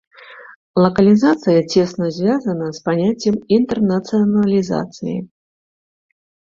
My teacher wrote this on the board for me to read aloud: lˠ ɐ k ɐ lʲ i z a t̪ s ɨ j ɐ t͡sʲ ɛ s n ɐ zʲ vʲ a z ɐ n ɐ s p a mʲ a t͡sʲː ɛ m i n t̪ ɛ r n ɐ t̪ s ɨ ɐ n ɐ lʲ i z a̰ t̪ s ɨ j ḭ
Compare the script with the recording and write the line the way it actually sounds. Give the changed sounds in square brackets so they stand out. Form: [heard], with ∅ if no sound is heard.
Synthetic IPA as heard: lˠ ɐ k ɐ lʲ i z a t̪ s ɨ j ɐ t͡sʲ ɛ s n ɐ zʲ vʲ a z ɐ n ɐ s p a [nʲ] a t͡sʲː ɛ m i n t̪ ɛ r n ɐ t̪ s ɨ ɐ n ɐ lʲ i z a̰ t̪ s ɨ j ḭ